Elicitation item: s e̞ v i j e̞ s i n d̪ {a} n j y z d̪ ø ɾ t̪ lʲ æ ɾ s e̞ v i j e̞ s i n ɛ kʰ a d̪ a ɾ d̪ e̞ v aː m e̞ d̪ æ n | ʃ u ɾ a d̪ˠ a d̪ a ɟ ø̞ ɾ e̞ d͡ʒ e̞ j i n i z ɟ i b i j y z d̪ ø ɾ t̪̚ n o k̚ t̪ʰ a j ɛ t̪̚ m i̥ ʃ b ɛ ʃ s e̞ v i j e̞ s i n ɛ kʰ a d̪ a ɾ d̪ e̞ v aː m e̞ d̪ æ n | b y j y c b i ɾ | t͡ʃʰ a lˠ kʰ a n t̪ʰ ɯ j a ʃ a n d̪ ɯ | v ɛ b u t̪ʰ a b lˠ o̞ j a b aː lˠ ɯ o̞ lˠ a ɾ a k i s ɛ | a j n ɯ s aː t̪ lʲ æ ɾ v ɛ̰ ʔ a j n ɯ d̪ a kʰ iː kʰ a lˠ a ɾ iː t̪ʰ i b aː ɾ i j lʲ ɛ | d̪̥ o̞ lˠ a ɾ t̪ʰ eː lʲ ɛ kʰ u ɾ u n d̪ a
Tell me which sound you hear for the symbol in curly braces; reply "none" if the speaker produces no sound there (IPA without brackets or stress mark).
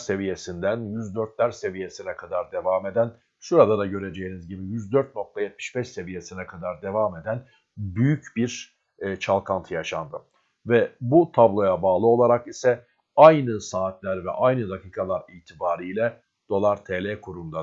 æ